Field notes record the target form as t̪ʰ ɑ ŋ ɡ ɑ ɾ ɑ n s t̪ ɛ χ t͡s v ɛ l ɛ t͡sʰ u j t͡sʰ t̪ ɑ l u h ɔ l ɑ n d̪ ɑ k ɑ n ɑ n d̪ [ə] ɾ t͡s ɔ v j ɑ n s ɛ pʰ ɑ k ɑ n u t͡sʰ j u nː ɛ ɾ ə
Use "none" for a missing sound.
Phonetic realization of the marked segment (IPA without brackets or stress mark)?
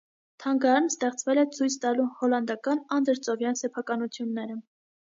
ə